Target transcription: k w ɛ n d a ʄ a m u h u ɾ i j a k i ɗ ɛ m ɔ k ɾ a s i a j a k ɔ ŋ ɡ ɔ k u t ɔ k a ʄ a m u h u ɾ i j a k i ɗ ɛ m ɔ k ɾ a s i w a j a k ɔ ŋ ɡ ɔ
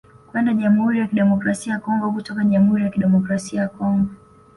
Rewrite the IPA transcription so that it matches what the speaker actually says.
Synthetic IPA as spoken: k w ɛ n d a ʄ a m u h u ɾ i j a k i ɗ ɛ m ɔ k ɾ a s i a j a k ɔ ŋ ɡ ɔ k u t ɔ k a ʄ a m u h u ɾ i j a k i ɗ ɛ m ɔ k ɾ a s i a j a k ɔ ŋ ɡ ɔ

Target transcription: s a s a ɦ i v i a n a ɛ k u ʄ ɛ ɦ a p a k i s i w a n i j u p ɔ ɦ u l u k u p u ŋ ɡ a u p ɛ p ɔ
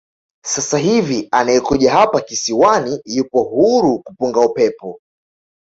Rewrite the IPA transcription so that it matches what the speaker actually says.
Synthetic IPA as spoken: s a s a ɦ i v i a n a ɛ k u ʄ a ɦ a p a k i s i w a n i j u p ɔ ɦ u ɾ u k u p u ŋ ɡ a u p ɛ p ɔ

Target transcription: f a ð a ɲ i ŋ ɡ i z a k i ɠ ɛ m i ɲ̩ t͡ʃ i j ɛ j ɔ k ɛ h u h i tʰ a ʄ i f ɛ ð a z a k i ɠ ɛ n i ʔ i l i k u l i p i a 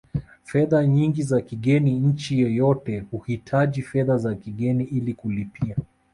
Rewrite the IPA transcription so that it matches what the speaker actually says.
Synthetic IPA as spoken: f ɛ ð a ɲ i ŋ ɡ i z a k i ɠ ɛ n i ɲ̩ t͡ʃ i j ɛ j ɔ t ɛ h u h i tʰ a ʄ i f ɛ ð a z a k i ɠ ɛ n i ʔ i l i k u l i p i a

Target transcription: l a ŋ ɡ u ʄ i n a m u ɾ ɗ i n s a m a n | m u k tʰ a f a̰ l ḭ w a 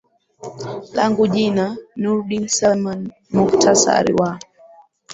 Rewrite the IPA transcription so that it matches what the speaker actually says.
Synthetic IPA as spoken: l a ŋ ɡ u ʄ i n a n u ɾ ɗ i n s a m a n | m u k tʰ a s a̰ ɾ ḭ w a

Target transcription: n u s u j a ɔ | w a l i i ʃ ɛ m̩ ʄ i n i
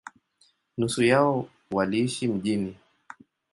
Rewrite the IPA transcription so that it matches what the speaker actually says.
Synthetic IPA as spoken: n u s u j a ɔ | w a l i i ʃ i m̩ ʄ i n i

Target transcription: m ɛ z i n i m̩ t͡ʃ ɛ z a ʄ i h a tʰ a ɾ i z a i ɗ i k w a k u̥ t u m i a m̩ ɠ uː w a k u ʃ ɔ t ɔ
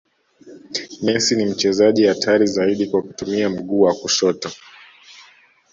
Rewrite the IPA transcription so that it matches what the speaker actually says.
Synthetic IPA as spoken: m ɛ s i n i m̩ t͡ʃ ɛ z a ʄ i h a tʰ a ɾ i z a i ɗ i k w a k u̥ t u m i a m̩ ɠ uː w a k u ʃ ɔ t ɔ

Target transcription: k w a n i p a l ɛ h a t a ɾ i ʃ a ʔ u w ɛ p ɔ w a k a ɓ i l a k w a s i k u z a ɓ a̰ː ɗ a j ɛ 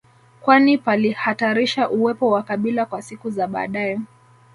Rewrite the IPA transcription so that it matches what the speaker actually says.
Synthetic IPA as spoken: k w a n i p a l i h a t a ɾ i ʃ a ʔ u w ɛ p ɔ w a k a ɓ i l a k w a s i k u z a ɓ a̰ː ɗ a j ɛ

